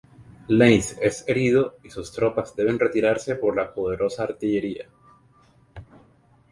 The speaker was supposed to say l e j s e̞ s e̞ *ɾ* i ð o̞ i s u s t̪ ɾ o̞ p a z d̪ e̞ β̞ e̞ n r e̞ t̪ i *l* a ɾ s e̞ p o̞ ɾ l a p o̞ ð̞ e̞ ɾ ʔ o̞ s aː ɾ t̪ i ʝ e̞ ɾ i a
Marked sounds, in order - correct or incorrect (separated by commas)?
correct, incorrect